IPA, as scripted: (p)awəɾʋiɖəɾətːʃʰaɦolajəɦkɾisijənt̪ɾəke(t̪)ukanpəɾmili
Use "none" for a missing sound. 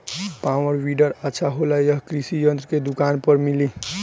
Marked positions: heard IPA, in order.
p, d̪

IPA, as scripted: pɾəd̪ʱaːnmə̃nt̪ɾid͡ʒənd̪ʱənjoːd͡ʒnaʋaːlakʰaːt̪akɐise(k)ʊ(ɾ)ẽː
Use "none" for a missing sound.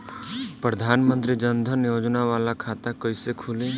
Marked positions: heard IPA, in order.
kʰ, l

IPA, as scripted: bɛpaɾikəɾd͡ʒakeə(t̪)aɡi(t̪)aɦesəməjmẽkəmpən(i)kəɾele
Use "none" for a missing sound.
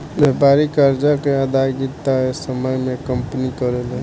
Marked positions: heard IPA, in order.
d̪, t̪, i

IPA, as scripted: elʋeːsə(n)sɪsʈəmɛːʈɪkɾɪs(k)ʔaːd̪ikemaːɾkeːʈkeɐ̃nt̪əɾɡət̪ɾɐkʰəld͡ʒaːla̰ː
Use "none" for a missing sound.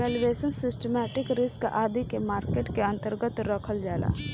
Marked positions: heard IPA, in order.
n, k

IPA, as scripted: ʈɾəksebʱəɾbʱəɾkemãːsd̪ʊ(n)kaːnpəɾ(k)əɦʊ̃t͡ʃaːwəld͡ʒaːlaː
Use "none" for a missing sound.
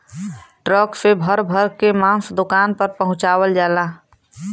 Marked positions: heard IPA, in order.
none, p

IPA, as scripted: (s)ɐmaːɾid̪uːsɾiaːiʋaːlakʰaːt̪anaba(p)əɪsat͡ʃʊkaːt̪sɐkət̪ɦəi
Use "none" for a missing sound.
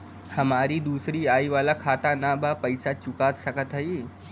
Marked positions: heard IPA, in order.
h, p

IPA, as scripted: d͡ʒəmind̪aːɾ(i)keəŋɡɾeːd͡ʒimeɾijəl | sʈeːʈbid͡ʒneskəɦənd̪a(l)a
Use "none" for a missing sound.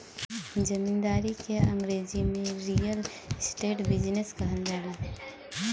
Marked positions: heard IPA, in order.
i, l

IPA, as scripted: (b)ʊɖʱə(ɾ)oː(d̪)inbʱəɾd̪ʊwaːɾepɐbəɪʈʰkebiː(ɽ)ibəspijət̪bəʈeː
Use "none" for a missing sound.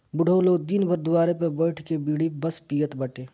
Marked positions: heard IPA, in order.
b, l, d̪, ɽ

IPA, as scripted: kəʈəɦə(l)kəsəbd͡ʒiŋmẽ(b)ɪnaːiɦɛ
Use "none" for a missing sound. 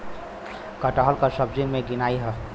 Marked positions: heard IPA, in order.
l, ɡ

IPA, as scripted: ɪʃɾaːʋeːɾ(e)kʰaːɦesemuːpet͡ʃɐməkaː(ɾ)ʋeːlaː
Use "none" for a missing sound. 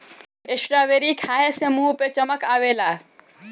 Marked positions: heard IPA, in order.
i, none

